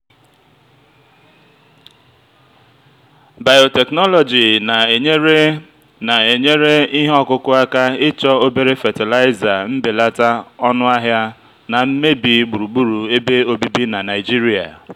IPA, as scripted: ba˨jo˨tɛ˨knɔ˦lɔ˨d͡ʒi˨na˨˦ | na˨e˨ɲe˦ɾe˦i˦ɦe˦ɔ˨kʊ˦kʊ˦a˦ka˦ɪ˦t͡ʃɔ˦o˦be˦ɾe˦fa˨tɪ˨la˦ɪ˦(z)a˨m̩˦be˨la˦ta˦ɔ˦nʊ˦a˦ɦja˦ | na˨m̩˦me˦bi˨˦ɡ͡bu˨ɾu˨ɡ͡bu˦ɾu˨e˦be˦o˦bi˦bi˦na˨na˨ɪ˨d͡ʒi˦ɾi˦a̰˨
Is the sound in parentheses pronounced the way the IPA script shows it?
yes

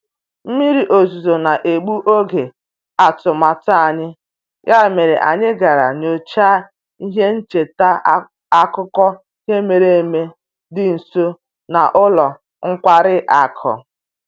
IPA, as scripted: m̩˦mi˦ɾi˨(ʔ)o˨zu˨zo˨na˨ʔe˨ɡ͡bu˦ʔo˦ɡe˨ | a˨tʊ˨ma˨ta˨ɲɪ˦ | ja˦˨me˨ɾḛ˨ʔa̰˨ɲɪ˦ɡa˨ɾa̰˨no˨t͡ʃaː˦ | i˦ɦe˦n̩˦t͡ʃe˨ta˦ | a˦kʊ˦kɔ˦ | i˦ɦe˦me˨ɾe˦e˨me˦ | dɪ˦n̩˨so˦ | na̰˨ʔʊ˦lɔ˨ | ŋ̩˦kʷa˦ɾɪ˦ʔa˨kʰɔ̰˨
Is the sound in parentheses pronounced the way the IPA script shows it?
yes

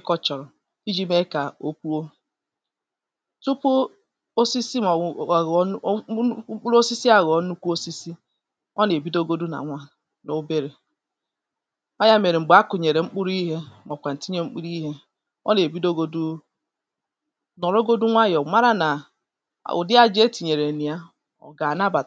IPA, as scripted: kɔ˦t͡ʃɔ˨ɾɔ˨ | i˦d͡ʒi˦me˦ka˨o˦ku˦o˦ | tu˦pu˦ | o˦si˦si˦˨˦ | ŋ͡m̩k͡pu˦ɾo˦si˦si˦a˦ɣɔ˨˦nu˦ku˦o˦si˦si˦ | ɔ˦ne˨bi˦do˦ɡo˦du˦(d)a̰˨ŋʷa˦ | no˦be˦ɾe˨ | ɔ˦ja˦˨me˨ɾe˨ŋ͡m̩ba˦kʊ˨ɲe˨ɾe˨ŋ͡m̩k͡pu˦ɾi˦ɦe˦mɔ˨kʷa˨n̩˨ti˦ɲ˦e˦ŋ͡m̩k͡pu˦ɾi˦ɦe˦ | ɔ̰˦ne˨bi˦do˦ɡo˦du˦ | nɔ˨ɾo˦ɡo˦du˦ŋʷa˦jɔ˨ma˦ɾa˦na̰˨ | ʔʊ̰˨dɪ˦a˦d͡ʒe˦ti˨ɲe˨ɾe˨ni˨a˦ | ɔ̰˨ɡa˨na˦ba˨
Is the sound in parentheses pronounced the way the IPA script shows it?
no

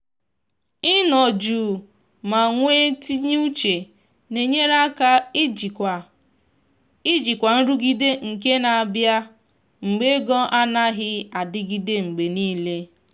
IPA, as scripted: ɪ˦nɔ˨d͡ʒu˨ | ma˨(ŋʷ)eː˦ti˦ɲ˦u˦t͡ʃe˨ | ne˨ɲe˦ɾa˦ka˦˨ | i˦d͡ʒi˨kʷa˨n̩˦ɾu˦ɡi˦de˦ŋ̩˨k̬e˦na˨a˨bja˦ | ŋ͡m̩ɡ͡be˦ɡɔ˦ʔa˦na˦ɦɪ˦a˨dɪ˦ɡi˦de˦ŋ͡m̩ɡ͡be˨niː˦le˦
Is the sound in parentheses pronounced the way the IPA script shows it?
yes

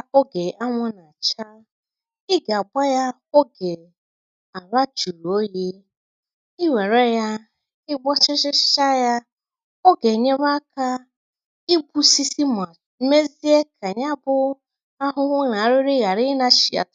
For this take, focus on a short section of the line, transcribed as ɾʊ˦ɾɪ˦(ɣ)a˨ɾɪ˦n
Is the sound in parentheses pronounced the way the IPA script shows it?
yes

